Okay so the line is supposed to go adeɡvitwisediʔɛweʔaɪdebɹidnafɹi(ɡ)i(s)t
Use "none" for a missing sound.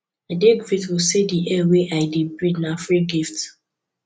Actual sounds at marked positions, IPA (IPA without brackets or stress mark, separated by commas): ɡ, f